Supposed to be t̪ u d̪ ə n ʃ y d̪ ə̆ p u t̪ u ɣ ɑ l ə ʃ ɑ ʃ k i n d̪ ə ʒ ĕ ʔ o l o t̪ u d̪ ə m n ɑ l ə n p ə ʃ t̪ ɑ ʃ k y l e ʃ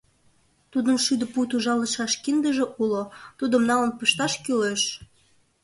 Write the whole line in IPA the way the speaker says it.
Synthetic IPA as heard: t̪ u d̪ ə n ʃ y d̪ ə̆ p u t̪ u ʒ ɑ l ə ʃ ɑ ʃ k i n d̪ ə ʒ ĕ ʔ u l o t̪ u d̪ ə m n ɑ l ə n p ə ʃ t̪ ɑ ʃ k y l e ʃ